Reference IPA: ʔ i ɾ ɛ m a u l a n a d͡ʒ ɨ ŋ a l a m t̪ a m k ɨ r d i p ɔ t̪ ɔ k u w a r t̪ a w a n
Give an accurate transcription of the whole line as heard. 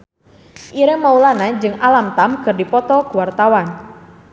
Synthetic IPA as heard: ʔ i ɾ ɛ m a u l a n a d͡ʒ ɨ ŋ a l a m t̪ a m k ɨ r d i p ɔ t̪ ɔ k u w a r t̪ a w a n